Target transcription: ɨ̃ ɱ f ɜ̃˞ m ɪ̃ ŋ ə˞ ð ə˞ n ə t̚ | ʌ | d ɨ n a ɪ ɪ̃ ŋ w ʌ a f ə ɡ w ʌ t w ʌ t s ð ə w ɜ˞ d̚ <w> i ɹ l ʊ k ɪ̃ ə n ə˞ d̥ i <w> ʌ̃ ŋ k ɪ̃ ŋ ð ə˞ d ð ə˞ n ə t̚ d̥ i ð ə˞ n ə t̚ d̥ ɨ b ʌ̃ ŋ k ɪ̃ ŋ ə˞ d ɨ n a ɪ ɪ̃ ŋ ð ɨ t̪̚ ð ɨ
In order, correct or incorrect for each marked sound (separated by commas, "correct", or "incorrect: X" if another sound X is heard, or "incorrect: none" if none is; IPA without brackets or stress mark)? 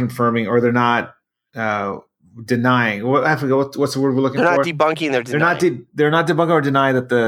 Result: correct, incorrect: b